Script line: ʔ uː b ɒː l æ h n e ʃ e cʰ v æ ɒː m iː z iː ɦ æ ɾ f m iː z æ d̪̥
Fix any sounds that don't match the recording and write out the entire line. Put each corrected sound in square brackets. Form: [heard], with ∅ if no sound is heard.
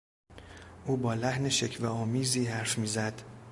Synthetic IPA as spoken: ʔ uː b ɒː l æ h n e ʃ e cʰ v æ ɒː m iː z iː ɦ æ ɾ f m iː z æ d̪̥